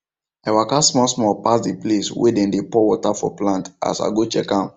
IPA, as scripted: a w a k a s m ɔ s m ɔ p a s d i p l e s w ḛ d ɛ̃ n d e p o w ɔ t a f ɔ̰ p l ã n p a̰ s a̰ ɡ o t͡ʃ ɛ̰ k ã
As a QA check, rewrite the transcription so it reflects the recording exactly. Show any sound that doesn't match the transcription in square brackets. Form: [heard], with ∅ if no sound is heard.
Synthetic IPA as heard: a w a k a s m ɔ s m ɔ p a s d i p l e s w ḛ d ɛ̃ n d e p [ɔ] w ɔ t a f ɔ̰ p l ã n [t] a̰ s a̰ ɡ o t͡ʃ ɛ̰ k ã